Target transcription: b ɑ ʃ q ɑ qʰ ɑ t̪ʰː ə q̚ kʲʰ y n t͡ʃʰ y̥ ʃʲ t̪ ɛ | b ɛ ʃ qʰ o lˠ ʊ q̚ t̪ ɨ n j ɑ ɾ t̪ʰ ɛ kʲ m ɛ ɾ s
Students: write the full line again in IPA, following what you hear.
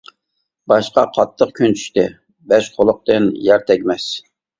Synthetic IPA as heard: b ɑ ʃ q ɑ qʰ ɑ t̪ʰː ə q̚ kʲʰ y n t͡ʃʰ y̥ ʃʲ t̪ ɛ | b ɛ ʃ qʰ o lˠ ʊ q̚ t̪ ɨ n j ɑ ɾ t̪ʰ ɛ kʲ m ɛ s